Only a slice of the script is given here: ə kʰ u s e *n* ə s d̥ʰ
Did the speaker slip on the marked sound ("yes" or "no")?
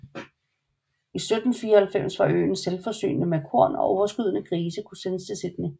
no